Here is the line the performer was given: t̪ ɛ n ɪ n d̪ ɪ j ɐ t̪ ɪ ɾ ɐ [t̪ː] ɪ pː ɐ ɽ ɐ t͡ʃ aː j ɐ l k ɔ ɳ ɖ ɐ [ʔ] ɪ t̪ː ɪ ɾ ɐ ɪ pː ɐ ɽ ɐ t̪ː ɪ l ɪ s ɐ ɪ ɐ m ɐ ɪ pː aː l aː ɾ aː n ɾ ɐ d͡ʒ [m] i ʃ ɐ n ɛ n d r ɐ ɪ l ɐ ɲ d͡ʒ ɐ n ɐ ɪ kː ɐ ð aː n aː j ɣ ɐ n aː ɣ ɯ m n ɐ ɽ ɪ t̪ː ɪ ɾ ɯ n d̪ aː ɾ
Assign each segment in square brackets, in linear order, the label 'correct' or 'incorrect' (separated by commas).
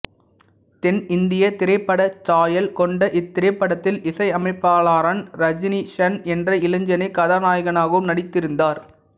incorrect, correct, incorrect